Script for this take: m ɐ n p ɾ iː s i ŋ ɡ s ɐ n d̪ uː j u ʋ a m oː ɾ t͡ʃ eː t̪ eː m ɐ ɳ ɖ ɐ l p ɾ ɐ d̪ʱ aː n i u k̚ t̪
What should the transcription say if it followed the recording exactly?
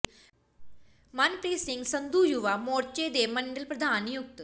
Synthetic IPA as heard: m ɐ n p ɾ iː s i ŋ ɡ s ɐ n d̪ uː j u ʋ a m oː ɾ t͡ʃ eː d̪ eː m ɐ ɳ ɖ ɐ l p ɾ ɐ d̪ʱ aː n j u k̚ t̪